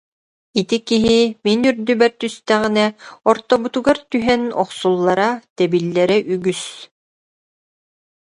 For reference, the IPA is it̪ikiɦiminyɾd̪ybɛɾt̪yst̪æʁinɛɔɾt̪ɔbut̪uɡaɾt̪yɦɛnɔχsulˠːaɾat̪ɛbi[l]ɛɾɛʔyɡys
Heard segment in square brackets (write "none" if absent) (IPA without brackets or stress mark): lː